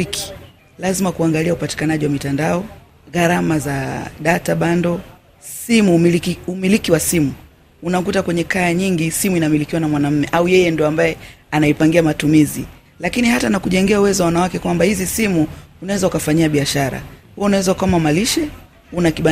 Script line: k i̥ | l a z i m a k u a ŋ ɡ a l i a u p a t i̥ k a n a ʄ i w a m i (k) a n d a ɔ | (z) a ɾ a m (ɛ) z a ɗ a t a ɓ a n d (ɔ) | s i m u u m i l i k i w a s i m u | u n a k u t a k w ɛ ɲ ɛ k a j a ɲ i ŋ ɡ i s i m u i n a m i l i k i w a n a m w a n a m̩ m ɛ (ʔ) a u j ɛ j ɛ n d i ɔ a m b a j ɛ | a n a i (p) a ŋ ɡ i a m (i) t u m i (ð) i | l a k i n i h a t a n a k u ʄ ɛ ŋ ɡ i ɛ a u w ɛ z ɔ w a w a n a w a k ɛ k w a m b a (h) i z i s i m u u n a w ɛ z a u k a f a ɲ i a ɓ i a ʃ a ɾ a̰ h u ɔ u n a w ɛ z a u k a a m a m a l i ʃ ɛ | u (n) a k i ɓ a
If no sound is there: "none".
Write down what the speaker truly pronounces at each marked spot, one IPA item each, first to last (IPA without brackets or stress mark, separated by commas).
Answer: t, ɣ, a, ɔ, ʔ, p, a, z, h, n